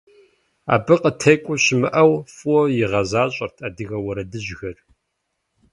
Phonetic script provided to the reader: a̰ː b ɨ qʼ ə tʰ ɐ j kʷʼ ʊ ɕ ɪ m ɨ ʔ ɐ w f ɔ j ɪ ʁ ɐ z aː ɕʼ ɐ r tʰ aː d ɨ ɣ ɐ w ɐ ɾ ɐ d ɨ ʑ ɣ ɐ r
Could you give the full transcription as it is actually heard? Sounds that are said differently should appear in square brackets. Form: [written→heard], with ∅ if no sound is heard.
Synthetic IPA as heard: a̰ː b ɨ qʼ ə tʰ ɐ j kʷʼ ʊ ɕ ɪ m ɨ ʔ ɐ w f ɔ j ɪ ʁ ɐ z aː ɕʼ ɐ r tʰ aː d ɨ ɣ ɐ w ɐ ɾ ɐ d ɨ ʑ ɣ ɐ r